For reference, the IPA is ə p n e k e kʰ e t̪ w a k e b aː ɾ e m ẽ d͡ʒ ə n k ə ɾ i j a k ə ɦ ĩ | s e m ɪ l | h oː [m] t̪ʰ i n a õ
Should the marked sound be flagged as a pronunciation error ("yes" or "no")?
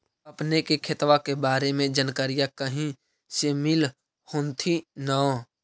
yes